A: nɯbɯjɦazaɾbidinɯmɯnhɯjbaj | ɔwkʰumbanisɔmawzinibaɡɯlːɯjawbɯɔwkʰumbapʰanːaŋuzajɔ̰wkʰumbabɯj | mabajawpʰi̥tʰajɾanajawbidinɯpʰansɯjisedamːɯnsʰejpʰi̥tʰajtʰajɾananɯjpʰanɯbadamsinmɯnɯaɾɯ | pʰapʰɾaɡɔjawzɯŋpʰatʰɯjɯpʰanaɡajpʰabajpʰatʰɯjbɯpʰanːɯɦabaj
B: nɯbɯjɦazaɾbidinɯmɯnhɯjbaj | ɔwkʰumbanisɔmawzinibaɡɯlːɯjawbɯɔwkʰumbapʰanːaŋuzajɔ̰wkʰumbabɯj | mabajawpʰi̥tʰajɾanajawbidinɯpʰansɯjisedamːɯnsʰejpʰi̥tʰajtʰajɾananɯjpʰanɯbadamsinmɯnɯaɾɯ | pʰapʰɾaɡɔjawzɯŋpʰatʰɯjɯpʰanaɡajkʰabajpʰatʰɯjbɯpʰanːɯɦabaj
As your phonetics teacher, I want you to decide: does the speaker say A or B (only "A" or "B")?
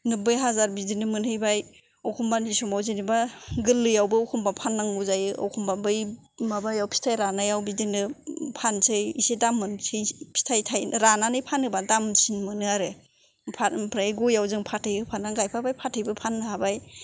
A